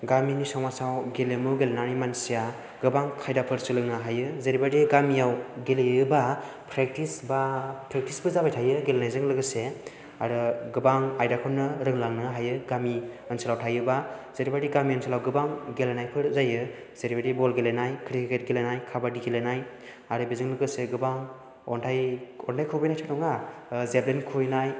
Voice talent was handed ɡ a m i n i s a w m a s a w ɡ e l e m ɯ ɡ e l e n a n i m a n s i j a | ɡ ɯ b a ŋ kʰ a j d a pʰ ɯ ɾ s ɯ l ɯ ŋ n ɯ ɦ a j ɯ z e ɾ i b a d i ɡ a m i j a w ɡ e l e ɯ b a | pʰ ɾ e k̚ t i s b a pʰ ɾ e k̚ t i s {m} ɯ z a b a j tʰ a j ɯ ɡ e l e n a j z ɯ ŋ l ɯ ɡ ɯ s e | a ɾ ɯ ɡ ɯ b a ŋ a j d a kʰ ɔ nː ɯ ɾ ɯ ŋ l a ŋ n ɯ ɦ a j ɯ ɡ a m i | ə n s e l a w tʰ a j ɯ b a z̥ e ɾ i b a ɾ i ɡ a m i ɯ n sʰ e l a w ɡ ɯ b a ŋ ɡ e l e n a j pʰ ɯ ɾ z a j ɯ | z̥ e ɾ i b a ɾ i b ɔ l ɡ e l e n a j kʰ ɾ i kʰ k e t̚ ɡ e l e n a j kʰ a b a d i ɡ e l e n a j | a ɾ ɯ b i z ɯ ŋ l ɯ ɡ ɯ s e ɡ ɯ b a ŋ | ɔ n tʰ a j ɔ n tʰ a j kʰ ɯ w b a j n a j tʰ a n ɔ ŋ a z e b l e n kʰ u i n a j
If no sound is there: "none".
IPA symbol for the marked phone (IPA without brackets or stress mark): b